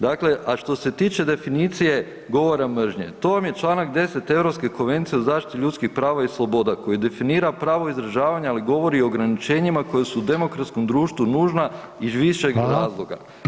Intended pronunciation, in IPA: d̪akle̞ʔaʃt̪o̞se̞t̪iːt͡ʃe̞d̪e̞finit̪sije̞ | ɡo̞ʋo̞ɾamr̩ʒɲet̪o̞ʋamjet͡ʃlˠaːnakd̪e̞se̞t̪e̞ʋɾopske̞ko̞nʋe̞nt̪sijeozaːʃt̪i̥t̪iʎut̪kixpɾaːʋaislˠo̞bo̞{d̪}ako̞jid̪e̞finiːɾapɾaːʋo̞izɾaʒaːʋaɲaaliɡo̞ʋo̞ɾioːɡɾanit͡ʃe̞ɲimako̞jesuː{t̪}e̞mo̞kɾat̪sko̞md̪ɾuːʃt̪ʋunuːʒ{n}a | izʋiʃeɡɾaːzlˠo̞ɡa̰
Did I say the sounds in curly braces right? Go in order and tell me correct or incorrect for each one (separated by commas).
correct, incorrect, correct